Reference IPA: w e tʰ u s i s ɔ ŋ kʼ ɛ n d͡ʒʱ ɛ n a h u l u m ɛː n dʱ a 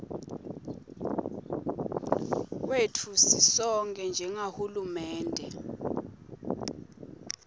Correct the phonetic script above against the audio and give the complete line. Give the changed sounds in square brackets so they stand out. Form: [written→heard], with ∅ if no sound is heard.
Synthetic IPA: w e tʰ u s i s ɔ ŋ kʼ ɛ n d͡ʒʱ ɛ [n→ŋ] a h u l u m ɛː n dʱ [a→ɛ]